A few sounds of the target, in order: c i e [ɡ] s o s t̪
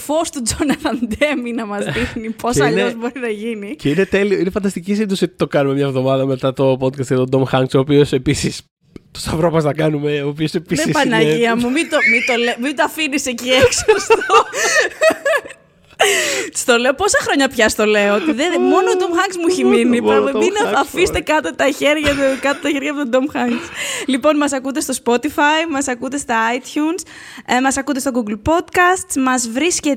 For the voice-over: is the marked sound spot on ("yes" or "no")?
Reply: no